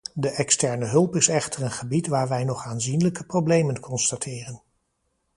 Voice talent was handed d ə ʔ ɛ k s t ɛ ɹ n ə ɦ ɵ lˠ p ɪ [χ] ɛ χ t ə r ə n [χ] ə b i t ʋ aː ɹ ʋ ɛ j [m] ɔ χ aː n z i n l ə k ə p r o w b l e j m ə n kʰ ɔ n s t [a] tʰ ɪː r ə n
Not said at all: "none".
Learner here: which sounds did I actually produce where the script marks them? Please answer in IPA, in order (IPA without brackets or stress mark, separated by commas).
s, χ, n, a